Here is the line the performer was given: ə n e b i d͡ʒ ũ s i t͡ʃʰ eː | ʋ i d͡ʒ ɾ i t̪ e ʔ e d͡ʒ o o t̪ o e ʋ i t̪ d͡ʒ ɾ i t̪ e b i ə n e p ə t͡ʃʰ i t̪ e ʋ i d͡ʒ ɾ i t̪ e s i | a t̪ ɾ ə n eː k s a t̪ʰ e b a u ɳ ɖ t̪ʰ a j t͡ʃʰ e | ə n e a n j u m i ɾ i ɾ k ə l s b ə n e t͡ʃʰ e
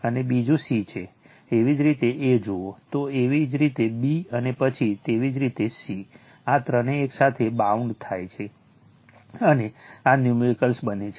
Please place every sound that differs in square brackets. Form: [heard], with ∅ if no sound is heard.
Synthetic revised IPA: ə n e b i d͡ʒ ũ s i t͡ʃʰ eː | ʋ i d͡ʒ ɾ i t̪ e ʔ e d͡ʒ o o t̪ o e ʋ i [∅] d͡ʒ ɾ i t̪ e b i ə n e p ə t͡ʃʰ i t̪ e ʋ i d͡ʒ ɾ i t̪ e s i | a t̪ ɾ ə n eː k s a t̪ʰ e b a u ɳ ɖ t̪ʰ a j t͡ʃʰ e | ə n e a n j u m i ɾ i [∅] k ə l s b ə n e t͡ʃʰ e

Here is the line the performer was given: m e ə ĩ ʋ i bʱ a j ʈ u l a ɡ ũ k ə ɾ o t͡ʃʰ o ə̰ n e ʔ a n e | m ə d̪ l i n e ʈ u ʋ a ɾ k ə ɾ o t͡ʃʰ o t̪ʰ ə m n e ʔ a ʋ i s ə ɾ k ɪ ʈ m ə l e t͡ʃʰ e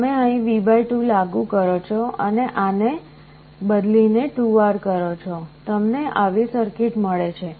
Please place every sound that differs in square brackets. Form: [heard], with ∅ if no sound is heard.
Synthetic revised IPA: m e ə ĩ ʋ i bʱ a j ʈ u l a ɡ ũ k ə ɾ o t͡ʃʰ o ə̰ n e ʔ a n e | [b] ə d̪ l i n e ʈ u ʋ a ɾ k ə ɾ o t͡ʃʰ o [t̪] ə m n e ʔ a ʋ i s ə ɾ k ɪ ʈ m ə [ɭ] e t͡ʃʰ e

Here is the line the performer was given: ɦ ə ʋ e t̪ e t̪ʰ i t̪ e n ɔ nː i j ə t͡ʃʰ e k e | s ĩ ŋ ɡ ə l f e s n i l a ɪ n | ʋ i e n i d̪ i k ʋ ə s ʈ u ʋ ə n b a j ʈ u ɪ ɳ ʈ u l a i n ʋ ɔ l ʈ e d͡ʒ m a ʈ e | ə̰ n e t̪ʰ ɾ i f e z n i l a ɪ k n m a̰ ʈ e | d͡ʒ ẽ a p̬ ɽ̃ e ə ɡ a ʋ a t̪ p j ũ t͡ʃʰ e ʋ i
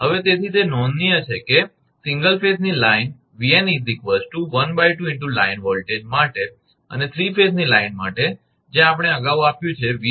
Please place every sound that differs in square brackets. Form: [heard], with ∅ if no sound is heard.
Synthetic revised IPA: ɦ ə ʋ e t̪ e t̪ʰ i t̪ e n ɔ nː i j ə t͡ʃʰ e k e | s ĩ ŋ ɡ ə l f e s n i l a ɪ n | ʋ i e n i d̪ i k ʋ ə s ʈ u ʋ ə n b a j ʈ u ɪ ɳ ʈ u l a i n ʋ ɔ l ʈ e d͡ʒ m a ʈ e | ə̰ n e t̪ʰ ɾ i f e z n i l a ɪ [∅] n m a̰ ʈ e | d͡ʒ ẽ a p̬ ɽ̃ e ə ɡ a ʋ a [∅] p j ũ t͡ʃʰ e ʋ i

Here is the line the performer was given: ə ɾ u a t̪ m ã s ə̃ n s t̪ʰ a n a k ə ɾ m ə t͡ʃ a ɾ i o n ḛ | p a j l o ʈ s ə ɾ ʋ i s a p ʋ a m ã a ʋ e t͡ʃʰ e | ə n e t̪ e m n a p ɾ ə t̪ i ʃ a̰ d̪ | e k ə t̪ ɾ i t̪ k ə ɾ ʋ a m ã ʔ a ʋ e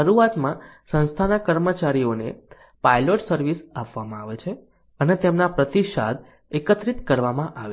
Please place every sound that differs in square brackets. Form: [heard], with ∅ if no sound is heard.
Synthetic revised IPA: ə ɾ u a t̪ m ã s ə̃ n s t̪ʰ a n a k ə ɾ m ə t͡ʃ a ɾ i o n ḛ | p a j l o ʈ s ə ɾ ʋ i s a p ʋ a m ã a ʋ e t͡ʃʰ e | ə n e t̪ e m n a p ɾ ə t̪ i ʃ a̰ d̪ | e k ə t̪ ɾ i t̪ k ə ɾ ʋ a m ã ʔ a ʋ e

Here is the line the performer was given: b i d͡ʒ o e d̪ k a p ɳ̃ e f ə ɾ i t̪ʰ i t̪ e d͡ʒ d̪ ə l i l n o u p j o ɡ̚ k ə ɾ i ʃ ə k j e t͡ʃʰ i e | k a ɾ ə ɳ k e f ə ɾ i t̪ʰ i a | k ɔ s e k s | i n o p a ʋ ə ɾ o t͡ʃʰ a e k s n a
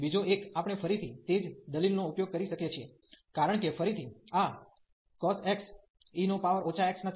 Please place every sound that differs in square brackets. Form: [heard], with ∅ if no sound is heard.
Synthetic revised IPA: b i d͡ʒ o e [∅] k a p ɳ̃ e f ə ɾ i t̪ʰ i t̪ e d͡ʒ d̪ ə l i l n o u p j o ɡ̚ k ə ɾ i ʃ ə k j e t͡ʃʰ i e | k a ɾ ə ɳ k e f ə ɾ i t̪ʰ i a | k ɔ s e k s | i n o p a ʋ ə ɾ o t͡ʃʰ a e k s n a

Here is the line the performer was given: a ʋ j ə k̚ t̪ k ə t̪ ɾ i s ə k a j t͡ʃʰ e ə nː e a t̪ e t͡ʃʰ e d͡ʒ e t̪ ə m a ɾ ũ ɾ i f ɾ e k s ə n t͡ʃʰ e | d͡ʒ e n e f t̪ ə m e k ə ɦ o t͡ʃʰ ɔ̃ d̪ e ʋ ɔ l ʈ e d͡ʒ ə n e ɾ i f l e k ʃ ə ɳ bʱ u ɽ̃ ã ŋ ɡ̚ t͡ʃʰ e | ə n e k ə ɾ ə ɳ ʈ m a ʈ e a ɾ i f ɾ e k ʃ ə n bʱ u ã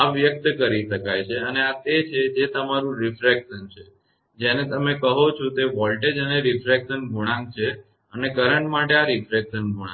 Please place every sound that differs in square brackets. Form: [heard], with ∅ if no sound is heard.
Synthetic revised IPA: a ʋ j ə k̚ t̪ k ə [∅] ɾ i [ʃ] ə k a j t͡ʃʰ e ə [n] e a t̪ e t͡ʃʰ e d͡ʒ e t̪ ə m a ɾ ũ ɾ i f ɾ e k [ʃ] ə n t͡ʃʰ e | d͡ʒ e n e [∅] t̪ ə m e k ə ɦ o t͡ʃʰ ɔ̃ [t̪] e ʋ ɔ l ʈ e d͡ʒ ə n e ɾ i f [ɾ] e k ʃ ə [n] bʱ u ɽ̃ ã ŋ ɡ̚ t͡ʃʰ e | ə n e k ə ɾ ə ɳ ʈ m a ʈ e a ɾ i f ɾ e k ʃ ə n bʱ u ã

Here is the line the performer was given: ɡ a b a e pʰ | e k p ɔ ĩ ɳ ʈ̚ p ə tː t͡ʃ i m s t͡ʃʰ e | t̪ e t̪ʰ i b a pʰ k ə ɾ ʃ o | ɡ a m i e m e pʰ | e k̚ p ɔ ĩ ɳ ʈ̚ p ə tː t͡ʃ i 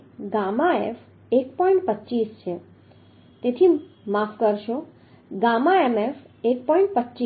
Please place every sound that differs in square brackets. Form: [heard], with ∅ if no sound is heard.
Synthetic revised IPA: ɡ a [m] a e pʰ | e k p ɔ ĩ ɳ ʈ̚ p ə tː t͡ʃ i [∅] s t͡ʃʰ e | t̪ e t̪ʰ i [m] a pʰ k ə ɾ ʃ o | ɡ a m [a] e m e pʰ | e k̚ p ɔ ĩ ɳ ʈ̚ p ə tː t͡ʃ i

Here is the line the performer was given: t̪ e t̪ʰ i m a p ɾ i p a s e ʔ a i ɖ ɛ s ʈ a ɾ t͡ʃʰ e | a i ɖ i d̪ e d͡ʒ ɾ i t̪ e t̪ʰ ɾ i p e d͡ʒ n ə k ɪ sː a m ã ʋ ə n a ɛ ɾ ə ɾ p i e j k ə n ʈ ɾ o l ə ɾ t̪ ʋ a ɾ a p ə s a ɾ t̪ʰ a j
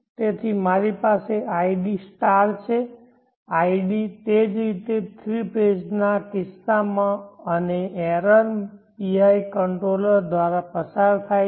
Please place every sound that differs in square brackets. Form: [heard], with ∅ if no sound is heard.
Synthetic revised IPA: t̪ e t̪ʰ i m a [∅] ɾ i p a s e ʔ a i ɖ [i] s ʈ a ɾ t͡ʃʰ e | a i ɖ i [t̪] e d͡ʒ ɾ i t̪ e t̪ʰ ɾ i p e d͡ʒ n [a] k ɪ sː a m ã [∅] ə n [e] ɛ ɾ ə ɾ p i [a] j k ə [ɳ] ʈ ɾ o l ə ɾ [d̪] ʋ a ɾ a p ə s a ɾ t̪ʰ a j

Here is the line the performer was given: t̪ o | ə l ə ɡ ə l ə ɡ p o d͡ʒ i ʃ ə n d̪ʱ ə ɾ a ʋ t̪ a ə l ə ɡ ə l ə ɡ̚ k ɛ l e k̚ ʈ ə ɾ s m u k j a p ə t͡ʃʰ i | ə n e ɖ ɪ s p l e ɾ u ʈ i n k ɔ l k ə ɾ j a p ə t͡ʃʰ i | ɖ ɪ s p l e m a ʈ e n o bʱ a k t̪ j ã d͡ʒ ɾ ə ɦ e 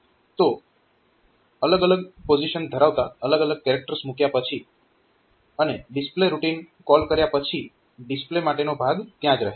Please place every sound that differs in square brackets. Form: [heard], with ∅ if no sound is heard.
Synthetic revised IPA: t̪ o | ə l ə ɡ ə l ə ɡ p o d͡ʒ i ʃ ə n d̪ʱ ə ɾ a ʋ t̪ a ə l ə ɡ ə l ə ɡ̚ k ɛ [ɾ] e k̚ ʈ ə ɾ s m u k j a p ə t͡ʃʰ i | ə n e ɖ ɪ s p l e ɾ u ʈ i n k ɔ l k ə ɾ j a p ə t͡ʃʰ i | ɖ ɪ s p l e m a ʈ e n o bʱ a [ɡ] t̪ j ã d͡ʒ ɾ ə ɦ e

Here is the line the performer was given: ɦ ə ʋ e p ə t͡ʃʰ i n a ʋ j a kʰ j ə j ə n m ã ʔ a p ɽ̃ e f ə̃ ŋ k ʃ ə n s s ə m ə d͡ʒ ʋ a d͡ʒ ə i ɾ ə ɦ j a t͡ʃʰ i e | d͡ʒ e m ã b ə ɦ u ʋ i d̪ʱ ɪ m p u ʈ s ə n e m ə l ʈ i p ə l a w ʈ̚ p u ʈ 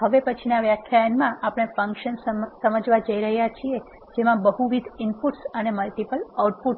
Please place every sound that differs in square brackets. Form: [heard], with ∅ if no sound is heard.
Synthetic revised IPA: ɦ ə ʋ e p ə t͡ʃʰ i n a ʋ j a kʰ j [a] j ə n m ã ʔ a p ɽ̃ e f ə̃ ŋ k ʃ ə n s s ə m ə d͡ʒ ʋ a d͡ʒ ə i ɾ ə ɦ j a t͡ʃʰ i e | d͡ʒ e m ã b ə ɦ u ʋ i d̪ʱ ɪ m p u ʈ s ə n e m ə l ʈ i p ə l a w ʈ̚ p u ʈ

